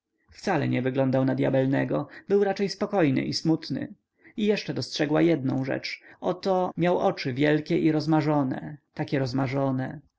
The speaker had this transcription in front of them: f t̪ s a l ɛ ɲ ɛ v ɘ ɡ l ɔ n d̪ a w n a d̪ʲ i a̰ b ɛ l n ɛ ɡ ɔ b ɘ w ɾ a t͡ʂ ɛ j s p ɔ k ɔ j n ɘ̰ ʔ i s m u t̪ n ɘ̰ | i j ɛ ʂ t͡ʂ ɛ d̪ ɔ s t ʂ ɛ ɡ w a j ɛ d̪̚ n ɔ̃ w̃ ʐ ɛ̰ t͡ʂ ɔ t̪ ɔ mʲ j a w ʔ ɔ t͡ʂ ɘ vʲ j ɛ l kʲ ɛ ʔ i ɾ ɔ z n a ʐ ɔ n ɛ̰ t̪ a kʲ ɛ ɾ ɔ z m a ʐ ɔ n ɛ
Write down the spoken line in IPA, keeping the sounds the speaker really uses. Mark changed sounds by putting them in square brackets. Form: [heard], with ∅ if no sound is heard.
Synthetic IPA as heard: f t̪ s a l ɛ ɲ ɛ v ɘ ɡ l ɔ n d̪ a w n a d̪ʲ [j] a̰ b ɛ l n ɛ ɡ ɔ b ɘ w ɾ a t͡ʂ ɛ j s p ɔ k ɔ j n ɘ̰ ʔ i s m u t̪ n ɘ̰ | i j ɛ ʂ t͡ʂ ɛ d̪ ɔ s t ʂ ɛ ɡ w a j ɛ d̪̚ n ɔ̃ w̃ ʐ ɛ̰ t͡ʂ ɔ t̪ ɔ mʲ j a w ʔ ɔ t͡ʂ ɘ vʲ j ɛ l kʲ ɛ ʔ i ɾ ɔ z [m] a ʐ ɔ n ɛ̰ t̪ a kʲ ɛ ɾ ɔ z m a ʐ ɔ n ɛ